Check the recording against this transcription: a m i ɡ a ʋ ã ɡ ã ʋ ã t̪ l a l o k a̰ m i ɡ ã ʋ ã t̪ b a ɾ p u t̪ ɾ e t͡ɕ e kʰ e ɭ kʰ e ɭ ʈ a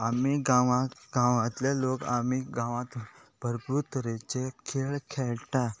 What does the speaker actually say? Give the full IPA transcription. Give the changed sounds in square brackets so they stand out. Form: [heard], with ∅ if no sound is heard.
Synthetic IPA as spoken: a m i ɡ a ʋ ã ɡ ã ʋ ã t̪ l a l o k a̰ m i ɡ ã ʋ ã t̪ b [ə] ɾ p u t̪ ɾ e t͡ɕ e kʰ e ɭ kʰ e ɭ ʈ a